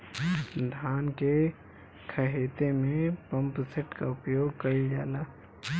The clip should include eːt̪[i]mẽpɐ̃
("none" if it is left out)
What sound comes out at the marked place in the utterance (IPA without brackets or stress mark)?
e